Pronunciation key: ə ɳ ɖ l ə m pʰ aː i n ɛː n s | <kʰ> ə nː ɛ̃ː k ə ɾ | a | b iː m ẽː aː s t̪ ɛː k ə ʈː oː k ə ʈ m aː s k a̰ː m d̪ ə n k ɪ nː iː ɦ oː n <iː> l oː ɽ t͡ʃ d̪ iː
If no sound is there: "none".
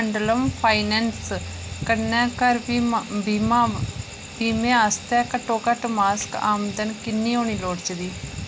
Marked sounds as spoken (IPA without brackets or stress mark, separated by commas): k, iː